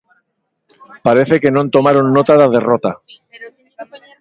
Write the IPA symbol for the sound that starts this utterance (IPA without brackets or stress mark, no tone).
p